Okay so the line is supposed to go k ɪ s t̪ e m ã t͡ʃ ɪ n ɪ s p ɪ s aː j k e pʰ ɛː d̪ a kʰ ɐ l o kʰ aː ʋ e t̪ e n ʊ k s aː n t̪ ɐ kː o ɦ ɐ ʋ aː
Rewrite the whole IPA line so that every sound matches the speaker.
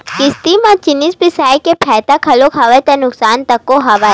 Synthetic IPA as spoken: k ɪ s t̪ i m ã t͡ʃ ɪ n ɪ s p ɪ s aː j k e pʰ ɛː t̪ a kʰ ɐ l o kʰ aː ʋ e t̪ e n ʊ k s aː n t̪ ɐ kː o ɦ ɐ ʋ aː